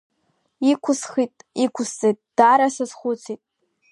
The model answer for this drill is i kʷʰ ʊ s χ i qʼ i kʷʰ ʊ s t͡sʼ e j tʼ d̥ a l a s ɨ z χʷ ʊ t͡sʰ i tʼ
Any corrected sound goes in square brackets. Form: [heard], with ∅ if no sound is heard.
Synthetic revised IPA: i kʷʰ ʊ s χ i [tʼ] i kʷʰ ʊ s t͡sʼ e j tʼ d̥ a [ɾ] a s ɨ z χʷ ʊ t͡sʰ i tʼ